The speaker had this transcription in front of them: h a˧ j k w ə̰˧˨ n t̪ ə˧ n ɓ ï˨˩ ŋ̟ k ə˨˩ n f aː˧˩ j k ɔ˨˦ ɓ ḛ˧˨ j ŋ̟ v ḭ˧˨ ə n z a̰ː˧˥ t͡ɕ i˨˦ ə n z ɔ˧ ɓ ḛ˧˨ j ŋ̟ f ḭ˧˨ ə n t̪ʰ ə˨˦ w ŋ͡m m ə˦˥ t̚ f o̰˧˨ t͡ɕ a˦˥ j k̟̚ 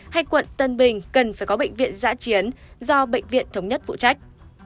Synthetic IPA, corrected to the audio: h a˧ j k w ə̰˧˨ n t̪ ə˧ n ɓ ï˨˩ ŋ̟ k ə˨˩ n f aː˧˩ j k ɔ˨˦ ɓ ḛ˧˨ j ŋ̟ v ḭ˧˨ ə n z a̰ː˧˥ t͡ɕ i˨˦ ə n z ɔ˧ ɓ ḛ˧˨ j ŋ̟ v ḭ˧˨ ə n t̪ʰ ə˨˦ w ŋ͡m ɲ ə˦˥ t̚ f ṵ˧˨ t͡ɕ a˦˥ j k̟̚